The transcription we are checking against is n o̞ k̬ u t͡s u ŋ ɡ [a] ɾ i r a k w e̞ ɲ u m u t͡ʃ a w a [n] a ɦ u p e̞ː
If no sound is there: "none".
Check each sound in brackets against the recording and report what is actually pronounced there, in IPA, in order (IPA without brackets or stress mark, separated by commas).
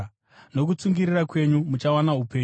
i, n